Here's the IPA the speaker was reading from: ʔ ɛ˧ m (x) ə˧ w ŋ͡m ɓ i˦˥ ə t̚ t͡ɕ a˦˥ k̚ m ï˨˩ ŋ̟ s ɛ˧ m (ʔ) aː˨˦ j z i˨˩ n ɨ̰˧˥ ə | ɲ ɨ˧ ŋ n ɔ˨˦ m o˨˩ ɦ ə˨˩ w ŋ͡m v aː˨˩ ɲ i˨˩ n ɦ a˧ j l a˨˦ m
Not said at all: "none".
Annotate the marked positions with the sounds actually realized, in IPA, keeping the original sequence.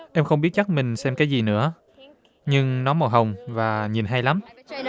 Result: x, k

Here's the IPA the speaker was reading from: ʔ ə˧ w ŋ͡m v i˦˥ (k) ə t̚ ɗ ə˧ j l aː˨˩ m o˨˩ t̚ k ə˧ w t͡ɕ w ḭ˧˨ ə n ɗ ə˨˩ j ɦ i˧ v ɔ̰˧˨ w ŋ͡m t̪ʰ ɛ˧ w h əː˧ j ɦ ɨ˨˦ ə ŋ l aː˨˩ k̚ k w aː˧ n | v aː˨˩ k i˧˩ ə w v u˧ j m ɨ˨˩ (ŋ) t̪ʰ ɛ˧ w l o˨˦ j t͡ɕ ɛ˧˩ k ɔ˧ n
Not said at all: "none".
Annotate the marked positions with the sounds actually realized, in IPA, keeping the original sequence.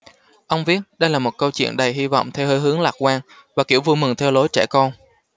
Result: none, ŋ

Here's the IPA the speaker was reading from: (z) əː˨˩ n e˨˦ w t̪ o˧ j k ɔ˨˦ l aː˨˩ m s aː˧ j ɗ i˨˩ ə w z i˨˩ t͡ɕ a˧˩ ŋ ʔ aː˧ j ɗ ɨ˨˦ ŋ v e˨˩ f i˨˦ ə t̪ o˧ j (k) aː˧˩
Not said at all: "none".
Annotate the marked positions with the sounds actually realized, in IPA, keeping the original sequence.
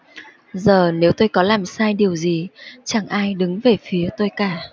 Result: z, k

